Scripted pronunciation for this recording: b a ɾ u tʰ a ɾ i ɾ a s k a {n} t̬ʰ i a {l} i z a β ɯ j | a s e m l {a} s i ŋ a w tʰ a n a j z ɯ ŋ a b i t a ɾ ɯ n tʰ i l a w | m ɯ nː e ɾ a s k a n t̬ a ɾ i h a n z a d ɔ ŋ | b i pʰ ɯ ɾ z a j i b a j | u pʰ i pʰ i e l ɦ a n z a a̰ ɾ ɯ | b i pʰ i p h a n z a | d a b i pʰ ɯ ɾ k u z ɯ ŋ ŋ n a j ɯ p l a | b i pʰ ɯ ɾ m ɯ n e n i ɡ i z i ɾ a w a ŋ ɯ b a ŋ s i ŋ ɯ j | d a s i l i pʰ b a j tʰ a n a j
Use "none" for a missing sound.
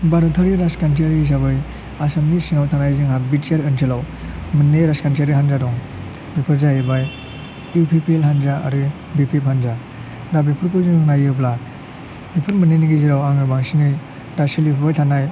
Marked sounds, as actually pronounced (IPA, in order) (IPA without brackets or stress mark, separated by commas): n, ɾ, i